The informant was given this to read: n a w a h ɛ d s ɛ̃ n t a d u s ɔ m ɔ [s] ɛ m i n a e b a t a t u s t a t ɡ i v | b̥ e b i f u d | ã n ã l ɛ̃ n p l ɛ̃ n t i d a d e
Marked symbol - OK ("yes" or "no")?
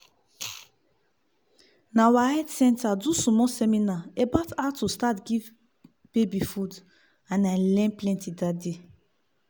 yes